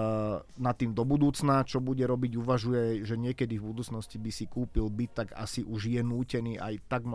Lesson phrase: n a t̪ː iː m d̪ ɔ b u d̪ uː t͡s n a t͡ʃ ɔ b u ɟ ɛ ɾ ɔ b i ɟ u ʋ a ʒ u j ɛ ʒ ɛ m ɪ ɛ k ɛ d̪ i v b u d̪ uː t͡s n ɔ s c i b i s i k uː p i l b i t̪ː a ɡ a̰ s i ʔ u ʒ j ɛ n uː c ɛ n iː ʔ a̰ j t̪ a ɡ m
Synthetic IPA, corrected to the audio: n a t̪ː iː m d̪ ɔ b u d̪ uː t͡s n a t͡ʃ ɔ b u ɟ ɛ ɾ ɔ b i ɟ u ʋ a ʒ u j ɛ ʒ ɛ ɲ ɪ ɛ k ɛ d̪ i v b u d̪ uː t͡s n ɔ s c i b i s i k uː p i l b i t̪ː a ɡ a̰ s i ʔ u ʒ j ɛ n uː c ɛ n iː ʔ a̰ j t̪ a ɡ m